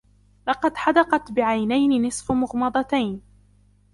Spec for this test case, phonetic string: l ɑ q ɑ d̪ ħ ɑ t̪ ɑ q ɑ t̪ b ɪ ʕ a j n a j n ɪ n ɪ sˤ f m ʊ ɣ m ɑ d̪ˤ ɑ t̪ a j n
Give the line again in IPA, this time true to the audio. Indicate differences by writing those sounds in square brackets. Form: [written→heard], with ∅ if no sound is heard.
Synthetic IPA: l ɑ q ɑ d̪ ħ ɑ [t̪→d̪] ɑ q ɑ t̪ b ɪ ʕ a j n a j n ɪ n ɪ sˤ f m ʊ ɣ m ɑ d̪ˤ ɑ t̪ a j n